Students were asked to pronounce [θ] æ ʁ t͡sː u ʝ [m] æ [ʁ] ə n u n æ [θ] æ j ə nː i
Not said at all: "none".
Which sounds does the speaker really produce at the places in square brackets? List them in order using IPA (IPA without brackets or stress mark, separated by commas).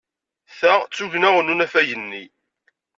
θ, n, ʁ, f